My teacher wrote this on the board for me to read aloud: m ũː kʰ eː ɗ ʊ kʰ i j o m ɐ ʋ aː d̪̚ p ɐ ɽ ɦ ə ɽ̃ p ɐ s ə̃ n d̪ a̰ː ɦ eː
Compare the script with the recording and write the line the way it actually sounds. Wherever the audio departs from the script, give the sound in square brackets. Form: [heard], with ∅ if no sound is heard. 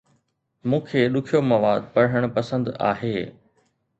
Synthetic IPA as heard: m ũː kʰ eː ɗ ʊ kʰ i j o m ɐ ʋ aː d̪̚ p ɐ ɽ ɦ ə ɽ̃ p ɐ s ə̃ n d̪ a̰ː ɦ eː